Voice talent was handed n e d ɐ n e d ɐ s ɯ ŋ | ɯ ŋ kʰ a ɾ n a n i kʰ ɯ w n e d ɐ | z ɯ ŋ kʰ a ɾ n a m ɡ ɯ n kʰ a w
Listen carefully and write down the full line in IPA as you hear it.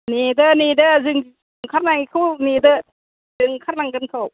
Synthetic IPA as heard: n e d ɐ n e d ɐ z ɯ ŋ | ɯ ŋ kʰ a ɾ n a ŋ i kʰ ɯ w n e d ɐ | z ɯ ŋ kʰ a ɾ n a ŋ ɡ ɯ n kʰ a w